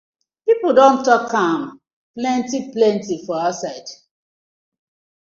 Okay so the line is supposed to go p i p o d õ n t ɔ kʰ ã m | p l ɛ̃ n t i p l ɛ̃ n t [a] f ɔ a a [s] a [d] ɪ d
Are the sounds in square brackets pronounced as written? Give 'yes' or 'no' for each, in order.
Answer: no, yes, no

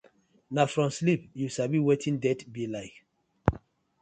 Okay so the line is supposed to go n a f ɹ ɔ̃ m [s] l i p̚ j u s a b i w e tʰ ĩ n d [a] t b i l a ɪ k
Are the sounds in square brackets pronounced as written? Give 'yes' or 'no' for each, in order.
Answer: yes, no

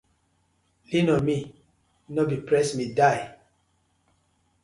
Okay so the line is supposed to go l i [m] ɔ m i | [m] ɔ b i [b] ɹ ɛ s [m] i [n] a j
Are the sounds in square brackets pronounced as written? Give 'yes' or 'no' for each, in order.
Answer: no, no, no, yes, no

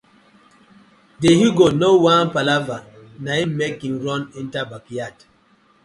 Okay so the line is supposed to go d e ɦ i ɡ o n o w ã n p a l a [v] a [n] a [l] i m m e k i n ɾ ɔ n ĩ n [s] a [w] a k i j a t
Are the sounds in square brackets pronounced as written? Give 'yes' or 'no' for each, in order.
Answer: yes, yes, no, no, no

